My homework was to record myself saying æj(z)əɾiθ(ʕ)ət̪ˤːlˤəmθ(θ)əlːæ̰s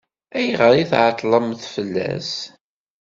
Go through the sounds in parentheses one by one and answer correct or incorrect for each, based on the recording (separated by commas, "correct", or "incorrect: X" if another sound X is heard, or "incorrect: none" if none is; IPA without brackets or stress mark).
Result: incorrect: ʁ, correct, incorrect: f